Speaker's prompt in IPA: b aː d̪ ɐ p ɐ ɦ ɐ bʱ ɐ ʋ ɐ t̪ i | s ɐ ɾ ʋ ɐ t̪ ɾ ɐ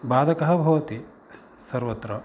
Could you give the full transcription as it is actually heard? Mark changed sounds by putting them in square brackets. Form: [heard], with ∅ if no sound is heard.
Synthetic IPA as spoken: b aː d̪ ɐ [k] ɐ ɦ ɐ bʱ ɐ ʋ ɐ t̪ i | s ɐ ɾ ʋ ɐ t̪ ɾ ɐ